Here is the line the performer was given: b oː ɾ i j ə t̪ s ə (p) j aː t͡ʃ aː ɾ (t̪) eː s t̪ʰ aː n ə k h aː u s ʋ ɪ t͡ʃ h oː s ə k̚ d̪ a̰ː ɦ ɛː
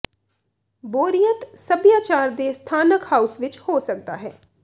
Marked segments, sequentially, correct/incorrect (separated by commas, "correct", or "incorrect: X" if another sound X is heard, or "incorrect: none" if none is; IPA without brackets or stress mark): incorrect: b, incorrect: d̪